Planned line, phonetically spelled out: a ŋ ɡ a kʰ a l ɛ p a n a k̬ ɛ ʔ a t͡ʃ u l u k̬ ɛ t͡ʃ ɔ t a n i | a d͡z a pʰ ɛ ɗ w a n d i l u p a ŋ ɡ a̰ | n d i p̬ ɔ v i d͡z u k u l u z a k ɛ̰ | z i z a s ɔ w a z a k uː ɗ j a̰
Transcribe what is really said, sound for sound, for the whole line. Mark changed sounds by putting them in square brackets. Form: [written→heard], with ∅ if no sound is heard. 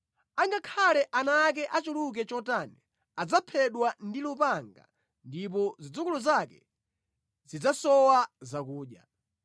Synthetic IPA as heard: a ŋ ɡ a kʰ a l ɛ [p→ʔ] a n a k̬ ɛ ʔ a t͡ʃ u l u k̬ ɛ t͡ʃ ɔ t a n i | a d͡z a pʰ ɛ ɗ w a n d i l u p a ŋ ɡ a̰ | n d i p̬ ɔ [v→z] i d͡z u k u l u z a k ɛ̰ | z i [z→d͡z] a s ɔ w a z a k uː ɗ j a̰